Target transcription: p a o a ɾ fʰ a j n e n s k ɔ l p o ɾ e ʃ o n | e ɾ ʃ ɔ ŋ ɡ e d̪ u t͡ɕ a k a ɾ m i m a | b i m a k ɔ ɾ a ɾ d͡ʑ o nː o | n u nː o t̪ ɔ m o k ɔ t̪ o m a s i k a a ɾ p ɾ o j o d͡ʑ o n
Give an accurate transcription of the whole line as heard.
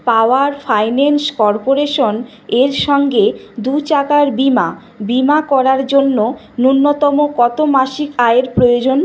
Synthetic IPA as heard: p a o a ɾ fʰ a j n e n s k ɔ ɾ p o ɾ e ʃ o n | e ɾ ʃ ɔ ŋ ɡ e d̪ u t͡ɕ a k a ɾ b i m a | b i m a k ɔ ɾ a ɾ d͡ʑ o nː o | n u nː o t̪ ɔ m o k ɔ t̪ o m a ʃ i k a e ɾ p ɾ o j o d͡ʑ o n